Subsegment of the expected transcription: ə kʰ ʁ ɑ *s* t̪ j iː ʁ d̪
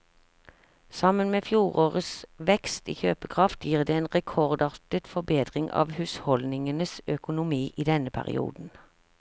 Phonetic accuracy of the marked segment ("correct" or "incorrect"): incorrect